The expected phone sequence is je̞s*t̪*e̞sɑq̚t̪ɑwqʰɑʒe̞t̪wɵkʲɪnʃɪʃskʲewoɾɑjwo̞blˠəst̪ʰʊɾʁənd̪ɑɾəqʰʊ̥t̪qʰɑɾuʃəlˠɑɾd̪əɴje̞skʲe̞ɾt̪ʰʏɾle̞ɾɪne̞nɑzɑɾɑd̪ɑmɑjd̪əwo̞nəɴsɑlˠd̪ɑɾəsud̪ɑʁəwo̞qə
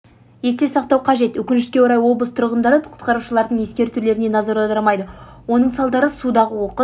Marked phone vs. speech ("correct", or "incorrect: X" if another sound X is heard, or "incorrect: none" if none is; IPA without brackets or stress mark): correct